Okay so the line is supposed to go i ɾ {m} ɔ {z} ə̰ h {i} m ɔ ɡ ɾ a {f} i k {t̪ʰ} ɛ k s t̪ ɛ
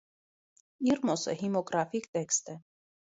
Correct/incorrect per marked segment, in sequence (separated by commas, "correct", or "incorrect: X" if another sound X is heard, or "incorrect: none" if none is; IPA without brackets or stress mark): correct, incorrect: s, correct, correct, incorrect: t̪